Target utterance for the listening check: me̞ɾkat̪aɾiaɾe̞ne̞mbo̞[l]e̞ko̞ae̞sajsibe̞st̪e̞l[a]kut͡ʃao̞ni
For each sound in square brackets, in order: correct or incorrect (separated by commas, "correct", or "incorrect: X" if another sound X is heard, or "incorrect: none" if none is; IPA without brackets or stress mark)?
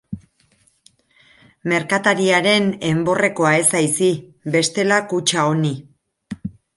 incorrect: r, correct